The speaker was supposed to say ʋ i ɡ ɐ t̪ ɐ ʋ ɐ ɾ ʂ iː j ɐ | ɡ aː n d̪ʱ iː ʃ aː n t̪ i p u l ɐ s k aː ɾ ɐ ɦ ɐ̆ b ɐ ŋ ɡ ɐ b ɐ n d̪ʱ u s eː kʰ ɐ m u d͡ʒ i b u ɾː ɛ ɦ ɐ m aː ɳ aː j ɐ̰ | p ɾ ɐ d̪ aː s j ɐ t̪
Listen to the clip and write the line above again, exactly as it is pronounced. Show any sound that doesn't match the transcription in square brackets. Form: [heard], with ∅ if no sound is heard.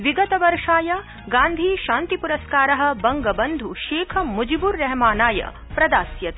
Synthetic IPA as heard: ʋ i ɡ ɐ t̪ ɐ ʋ ɐ ɾ ʂ [aː] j ɐ | ɡ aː n d̪ʱ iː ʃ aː n t̪ i p u [ɾ] ɐ s k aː ɾ ɐ ɦ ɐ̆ b ɐ ŋ ɡ ɐ b ɐ n d̪ʱ u [ʃ] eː kʰ ɐ m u d͡ʒ i b u ɾː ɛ ɦ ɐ m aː [n] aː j ɐ̰ | p ɾ ɐ d̪ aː s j ɐ t̪